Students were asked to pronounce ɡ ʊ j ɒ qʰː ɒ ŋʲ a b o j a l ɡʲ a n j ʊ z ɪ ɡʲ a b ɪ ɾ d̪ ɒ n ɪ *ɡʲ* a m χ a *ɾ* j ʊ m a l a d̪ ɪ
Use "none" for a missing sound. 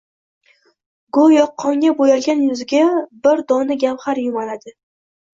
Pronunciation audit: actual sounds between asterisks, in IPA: ɡʲ, ɾ

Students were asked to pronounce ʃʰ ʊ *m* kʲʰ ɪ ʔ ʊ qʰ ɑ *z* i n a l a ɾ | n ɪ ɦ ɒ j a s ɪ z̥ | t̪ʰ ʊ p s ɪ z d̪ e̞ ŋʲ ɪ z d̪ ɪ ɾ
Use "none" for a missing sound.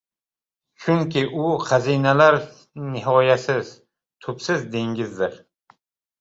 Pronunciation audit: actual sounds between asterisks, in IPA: ŋ, z

